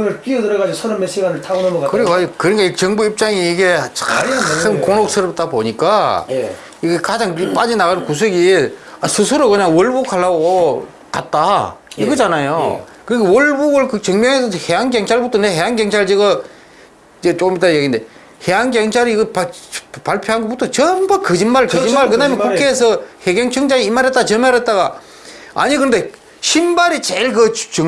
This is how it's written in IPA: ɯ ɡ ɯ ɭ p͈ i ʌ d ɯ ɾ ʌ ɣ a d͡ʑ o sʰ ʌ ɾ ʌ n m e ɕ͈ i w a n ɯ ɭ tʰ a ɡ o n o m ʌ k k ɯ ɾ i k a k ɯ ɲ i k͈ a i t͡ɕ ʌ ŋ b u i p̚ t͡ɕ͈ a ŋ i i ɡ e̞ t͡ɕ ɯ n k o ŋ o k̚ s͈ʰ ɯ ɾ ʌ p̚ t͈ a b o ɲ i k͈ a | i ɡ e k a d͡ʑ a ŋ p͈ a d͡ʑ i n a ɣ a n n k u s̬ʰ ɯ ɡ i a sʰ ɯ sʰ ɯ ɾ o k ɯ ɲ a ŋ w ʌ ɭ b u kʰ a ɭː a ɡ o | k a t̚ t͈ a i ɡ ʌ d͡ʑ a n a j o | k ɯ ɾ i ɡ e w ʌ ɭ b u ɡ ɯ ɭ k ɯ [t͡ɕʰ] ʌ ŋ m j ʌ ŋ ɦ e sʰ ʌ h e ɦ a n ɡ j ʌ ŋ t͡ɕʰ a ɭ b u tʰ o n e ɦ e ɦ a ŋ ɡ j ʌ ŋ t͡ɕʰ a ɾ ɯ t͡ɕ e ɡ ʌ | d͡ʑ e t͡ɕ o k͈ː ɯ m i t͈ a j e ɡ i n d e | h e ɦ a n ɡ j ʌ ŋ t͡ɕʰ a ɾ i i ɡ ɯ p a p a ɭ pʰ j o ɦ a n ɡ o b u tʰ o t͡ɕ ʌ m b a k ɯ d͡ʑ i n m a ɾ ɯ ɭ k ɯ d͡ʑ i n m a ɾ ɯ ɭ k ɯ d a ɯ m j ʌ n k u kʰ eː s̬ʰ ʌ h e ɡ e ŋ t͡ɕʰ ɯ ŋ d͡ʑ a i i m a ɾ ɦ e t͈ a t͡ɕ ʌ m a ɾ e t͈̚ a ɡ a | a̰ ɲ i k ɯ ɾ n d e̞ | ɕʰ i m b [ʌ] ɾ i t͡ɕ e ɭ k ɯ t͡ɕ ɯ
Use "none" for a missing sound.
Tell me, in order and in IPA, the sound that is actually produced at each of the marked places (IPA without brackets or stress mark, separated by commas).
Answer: t͡ɕ, a